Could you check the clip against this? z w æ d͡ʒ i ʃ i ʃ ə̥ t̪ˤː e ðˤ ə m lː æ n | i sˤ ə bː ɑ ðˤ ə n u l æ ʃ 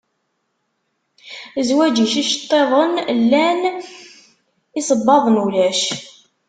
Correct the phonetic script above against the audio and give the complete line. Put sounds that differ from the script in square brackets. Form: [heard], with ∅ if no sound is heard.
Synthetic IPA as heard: z w æ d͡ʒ i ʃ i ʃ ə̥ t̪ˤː e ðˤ ə [n] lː æ n | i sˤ ə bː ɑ ðˤ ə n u l æ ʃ